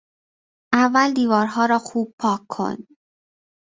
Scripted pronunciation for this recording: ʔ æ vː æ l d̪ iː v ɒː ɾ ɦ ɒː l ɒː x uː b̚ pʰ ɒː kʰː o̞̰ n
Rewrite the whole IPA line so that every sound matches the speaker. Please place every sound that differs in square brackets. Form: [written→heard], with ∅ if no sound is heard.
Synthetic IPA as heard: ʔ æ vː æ l d̪ iː v ɒː ɾ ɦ ɒː [l→ɾ] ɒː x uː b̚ pʰ ɒː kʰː o̞̰ n